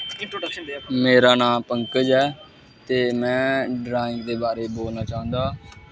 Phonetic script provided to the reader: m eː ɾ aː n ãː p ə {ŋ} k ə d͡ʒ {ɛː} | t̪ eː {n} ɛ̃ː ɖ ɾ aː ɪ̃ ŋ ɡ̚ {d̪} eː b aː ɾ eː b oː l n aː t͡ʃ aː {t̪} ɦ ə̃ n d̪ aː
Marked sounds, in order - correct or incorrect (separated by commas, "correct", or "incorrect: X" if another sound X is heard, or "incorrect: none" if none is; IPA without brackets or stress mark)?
correct, correct, incorrect: m, correct, incorrect: none